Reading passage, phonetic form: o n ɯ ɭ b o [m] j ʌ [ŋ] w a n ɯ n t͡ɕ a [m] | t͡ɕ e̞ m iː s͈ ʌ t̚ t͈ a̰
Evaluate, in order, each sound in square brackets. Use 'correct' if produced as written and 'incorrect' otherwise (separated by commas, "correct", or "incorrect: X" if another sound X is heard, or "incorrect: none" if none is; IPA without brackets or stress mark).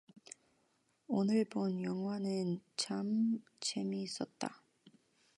incorrect: n, correct, correct